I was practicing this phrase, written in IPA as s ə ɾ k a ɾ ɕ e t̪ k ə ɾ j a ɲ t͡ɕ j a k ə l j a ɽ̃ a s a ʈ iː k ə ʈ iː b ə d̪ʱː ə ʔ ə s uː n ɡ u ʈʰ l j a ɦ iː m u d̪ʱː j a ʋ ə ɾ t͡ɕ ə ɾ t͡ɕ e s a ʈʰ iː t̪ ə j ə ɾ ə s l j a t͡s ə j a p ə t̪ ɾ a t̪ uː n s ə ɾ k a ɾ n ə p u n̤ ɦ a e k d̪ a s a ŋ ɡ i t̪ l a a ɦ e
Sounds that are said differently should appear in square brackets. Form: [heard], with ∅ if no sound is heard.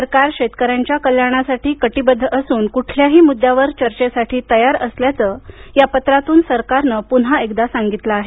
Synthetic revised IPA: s ə ɾ k a ɾ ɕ e t̪ k ə ɾ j a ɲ t͡ɕ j a k ə l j a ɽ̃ a s a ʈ iː k ə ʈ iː b ə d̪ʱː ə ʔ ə s uː n [k] u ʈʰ l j a ɦ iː m u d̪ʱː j a ʋ ə ɾ t͡ɕ ə ɾ t͡ɕ e s a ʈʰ iː t̪ ə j [a] ɾ ə s l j a t͡s ə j a p ə t̪ ɾ a t̪ uː n s ə ɾ k a ɾ n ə p u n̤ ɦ a e k d̪ a s a ŋ ɡ i t̪ l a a ɦ e

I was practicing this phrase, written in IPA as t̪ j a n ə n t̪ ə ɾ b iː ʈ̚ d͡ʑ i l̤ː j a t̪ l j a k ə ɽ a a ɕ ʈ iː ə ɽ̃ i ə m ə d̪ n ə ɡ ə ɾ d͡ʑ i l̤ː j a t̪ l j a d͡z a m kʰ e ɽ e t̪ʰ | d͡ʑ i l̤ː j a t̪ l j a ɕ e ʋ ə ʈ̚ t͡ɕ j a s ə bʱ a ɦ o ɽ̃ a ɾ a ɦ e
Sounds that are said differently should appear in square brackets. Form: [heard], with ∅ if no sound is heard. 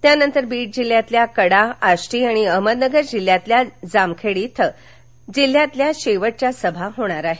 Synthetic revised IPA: t̪ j a n ə n t̪ ə ɾ b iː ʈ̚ d͡ʑ i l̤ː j a t̪ l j a k ə ɽ a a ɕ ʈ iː [a] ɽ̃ i ə m ə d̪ n ə ɡ ə ɾ d͡ʑ i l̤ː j a t̪ l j a d͡z a m kʰ e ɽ [i] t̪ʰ | d͡ʑ i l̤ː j a t̪ l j a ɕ e ʋ ə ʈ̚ t͡ɕ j a s ə bʱ a ɦ o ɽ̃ a ɾ a ɦ e

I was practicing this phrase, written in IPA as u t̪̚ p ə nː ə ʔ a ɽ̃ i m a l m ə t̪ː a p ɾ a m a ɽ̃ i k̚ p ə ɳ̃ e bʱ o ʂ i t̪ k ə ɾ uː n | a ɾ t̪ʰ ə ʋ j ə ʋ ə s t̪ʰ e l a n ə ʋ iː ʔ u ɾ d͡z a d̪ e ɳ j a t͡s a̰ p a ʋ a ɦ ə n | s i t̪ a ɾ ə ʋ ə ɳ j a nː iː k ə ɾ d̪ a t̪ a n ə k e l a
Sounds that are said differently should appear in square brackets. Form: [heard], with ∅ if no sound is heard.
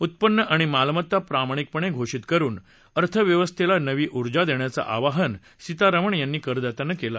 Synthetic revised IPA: u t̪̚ p ə nː ə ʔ a ɽ̃ i m a l m ə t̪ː a p ɾ a m a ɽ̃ i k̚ p ə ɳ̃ e [ɡʱ] o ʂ i t̪ k ə ɾ uː n | [ə] ɾ t̪ʰ ə ʋ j ə ʋ ə s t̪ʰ e l a n ə ʋ iː ʔ u ɾ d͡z a d̪ e ɳ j a t͡s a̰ [ʔ] a ʋ a ɦ ə n | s i t̪ a ɾ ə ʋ ə ɳ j a nː iː k ə ɾ d̪ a t̪ a n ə k e l a

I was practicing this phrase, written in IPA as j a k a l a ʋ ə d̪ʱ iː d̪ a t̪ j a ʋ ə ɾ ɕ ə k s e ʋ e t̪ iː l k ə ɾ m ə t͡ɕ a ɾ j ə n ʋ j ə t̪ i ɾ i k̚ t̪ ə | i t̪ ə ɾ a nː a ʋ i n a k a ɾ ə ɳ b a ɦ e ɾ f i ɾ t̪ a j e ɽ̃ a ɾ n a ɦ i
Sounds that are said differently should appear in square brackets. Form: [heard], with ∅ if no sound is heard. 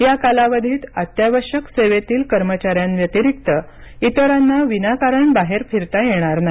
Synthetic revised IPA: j a k a l a ʋ ə d̪ʱ iː [t̪] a t̪ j a ʋ ə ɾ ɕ ə k s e ʋ e t̪ iː l k ə ɾ m ə t͡ɕ a ɾ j [a] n ʋ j ə t̪ i ɾ i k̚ t̪ ə | i t̪ ə ɾ a nː a ʋ i n a k a ɾ ə ɳ b a ɦ e ɾ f i ɾ t̪ a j e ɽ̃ a ɾ n a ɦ i

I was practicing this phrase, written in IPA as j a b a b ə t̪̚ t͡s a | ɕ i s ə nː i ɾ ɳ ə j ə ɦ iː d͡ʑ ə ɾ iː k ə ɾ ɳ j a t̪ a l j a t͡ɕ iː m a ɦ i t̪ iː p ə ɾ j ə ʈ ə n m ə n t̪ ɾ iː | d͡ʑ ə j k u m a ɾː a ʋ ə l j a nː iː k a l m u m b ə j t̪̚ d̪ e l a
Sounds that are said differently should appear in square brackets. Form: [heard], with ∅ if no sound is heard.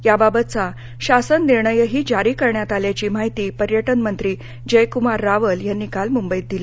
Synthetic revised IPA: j a b a b ə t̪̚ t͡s a | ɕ [a] s ə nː i ɾ ɳ ə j ə ɦ iː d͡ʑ [a] ɾ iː k ə ɾ ɳ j a t̪ a l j a t͡ɕ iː m a ɦ i t̪ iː p ə ɾ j ə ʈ ə n m ə n t̪ ɾ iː | d͡ʑ ə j k u m a ɾː a ʋ ə l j a nː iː k a l m u m b ə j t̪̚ d̪ [i] l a

